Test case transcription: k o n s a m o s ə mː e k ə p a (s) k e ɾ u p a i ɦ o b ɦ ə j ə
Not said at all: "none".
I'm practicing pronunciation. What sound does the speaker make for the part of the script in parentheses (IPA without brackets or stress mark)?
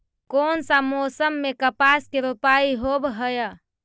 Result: s